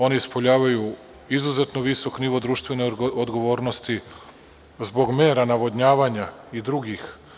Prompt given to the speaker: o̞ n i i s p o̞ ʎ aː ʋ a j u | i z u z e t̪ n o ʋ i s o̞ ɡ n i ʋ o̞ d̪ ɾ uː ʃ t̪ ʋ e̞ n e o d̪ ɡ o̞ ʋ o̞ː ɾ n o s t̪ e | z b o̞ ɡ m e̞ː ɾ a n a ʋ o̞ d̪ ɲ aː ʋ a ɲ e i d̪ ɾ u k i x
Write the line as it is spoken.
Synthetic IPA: o̞ n i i s p o̞ ʎ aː ʋ a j u | i z u z e t̪ n o ʋ i s o̞ k n i ʋ o̞ d̪ ɾ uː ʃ t̪ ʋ e̞ n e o d̪ ɡ o̞ ʋ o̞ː ɾ n o s t̪ i | z b o̞ ɡ m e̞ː ɾ a n a ʋ o̞ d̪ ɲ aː ʋ a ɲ a i d̪ ɾ u ɡ i x